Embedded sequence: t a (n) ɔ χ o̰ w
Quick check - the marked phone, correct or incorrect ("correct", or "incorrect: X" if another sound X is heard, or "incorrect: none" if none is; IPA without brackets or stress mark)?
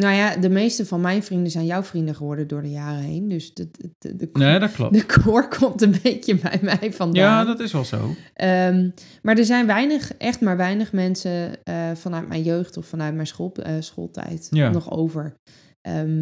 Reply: correct